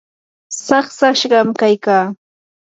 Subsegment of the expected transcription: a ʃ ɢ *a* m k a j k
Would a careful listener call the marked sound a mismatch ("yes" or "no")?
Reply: yes